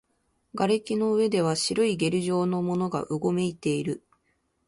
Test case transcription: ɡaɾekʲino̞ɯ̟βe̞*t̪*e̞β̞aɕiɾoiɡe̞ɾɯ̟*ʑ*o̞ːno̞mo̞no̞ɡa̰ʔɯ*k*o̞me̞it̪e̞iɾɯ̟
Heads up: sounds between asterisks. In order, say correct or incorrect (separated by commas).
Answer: incorrect, correct, incorrect